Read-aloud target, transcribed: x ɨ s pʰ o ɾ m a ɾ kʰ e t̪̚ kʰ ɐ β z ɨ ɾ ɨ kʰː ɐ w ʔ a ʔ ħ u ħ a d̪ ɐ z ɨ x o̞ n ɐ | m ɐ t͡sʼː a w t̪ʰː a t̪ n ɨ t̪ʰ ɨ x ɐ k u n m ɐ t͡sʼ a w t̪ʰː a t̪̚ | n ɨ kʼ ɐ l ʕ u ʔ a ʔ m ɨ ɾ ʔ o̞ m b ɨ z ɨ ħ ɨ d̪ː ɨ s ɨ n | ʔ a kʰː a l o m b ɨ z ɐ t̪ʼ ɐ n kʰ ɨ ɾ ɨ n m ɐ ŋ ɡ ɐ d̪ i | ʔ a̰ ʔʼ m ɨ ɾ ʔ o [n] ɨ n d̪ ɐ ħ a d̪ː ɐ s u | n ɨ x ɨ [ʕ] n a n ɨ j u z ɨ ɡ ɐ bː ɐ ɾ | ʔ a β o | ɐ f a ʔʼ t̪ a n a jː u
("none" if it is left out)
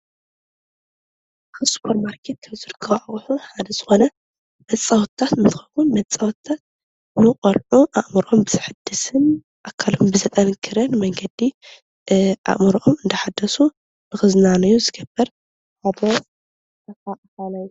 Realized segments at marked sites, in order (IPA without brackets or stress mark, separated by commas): m, z